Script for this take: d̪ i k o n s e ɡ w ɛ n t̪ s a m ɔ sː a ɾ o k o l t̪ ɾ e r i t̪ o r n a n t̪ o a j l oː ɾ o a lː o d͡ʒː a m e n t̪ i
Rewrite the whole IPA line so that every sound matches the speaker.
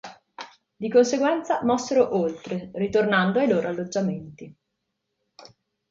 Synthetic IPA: d̪ i k o n s e ɡ w ɛ n t̪ s a m ɔ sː e ɾ o ʔ o l t̪ ɾ e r i t̪ o r n a n d̪ o a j l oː ɾ o a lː o d͡ʒː a m e n t̪ i